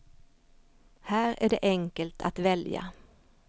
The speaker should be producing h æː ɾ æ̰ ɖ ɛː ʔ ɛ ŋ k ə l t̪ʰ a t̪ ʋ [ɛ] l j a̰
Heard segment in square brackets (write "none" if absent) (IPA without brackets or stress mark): ɛ